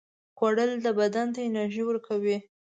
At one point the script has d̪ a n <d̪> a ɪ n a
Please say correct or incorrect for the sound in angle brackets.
incorrect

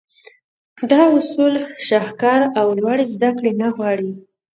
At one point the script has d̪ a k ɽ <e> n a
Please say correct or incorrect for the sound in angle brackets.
correct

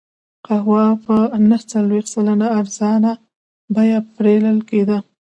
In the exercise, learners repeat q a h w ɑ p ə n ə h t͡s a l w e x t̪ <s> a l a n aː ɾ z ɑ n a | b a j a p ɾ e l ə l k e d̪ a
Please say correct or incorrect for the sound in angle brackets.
correct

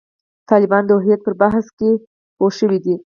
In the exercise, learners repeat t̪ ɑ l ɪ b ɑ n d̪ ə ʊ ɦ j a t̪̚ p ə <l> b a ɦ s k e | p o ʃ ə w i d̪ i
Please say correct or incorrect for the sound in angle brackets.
incorrect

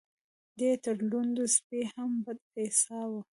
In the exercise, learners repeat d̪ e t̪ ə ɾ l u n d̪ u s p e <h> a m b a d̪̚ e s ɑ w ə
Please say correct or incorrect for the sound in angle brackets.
correct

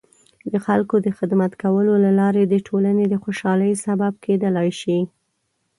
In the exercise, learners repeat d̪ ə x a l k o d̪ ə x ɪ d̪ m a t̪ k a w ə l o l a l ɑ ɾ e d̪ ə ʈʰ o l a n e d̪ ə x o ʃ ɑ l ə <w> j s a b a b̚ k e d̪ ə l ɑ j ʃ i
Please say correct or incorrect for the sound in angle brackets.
incorrect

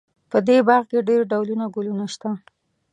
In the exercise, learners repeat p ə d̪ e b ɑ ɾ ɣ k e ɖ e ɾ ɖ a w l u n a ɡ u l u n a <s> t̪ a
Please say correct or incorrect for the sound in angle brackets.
incorrect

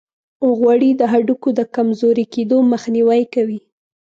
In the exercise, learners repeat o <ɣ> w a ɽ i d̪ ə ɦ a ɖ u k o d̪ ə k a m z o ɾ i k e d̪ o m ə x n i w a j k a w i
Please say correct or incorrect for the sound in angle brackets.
correct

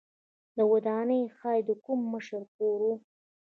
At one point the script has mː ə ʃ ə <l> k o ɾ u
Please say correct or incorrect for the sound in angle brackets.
incorrect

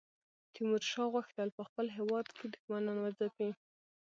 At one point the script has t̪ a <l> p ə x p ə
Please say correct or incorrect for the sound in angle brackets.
correct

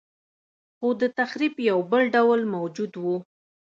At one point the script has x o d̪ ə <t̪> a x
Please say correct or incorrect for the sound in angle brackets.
correct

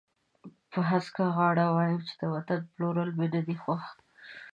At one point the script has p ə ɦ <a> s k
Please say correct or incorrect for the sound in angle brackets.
correct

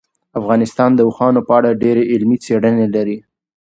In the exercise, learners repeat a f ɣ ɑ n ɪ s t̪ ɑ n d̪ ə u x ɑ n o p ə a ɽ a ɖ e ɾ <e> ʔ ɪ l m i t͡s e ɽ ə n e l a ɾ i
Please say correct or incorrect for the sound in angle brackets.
correct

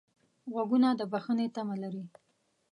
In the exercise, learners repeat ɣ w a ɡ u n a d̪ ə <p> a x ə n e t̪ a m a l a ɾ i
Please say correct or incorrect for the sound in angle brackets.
incorrect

